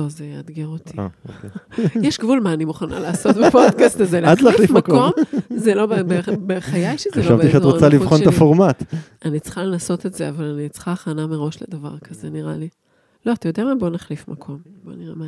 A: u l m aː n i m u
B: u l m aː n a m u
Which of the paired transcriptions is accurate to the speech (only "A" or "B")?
A